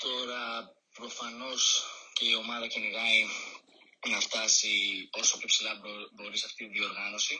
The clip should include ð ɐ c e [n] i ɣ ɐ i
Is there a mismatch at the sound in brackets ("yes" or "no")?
no